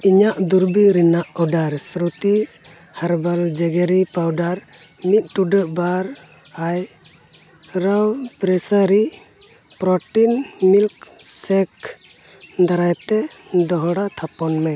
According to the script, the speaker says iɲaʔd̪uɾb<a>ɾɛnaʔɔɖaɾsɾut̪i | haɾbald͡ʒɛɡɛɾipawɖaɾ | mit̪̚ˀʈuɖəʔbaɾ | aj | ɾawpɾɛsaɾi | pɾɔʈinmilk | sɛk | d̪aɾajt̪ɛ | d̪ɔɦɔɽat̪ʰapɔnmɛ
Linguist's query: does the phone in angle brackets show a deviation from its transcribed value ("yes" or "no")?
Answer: yes